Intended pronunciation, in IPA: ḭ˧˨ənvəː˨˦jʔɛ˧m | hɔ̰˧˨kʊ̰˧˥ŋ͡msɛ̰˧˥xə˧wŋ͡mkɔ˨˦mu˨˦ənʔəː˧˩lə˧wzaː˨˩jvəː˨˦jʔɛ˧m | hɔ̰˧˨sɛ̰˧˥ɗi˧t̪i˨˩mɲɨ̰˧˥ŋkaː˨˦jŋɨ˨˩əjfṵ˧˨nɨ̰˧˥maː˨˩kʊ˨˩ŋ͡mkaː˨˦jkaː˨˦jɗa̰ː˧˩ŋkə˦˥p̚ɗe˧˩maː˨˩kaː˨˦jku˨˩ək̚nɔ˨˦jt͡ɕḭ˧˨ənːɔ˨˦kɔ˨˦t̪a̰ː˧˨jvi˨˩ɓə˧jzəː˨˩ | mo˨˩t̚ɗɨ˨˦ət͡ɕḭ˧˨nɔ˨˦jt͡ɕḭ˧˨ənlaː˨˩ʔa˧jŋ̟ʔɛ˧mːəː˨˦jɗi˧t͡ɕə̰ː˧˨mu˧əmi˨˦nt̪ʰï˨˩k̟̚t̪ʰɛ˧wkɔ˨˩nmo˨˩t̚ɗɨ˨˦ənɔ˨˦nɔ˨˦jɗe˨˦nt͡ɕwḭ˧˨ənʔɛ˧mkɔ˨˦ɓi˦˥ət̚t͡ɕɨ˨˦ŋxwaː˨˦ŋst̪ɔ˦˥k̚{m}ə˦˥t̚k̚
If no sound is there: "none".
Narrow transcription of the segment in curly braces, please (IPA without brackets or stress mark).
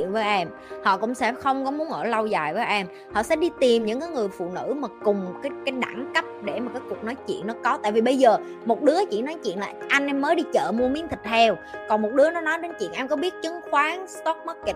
m